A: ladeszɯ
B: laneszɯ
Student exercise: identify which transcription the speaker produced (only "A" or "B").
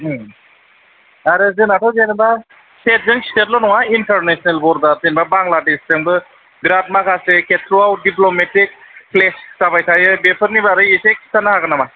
A